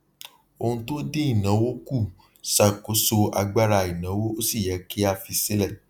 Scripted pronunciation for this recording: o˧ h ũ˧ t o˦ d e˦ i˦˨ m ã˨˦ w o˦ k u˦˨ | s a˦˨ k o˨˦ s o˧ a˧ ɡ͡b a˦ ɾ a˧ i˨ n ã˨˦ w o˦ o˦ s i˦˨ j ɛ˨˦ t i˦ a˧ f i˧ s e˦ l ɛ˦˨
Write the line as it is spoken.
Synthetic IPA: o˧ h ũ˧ t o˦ d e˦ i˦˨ n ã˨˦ w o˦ k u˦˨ | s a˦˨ k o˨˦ s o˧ a˧ ɡ͡b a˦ ɾ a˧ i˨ n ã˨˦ w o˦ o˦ s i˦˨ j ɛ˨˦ k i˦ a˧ f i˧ s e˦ l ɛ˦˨